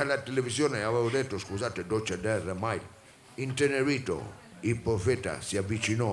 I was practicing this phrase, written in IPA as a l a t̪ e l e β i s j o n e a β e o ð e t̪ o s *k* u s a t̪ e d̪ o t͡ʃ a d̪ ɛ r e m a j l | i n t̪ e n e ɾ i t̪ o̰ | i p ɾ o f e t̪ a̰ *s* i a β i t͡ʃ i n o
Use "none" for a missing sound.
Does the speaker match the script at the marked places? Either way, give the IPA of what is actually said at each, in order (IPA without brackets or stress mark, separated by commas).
k, s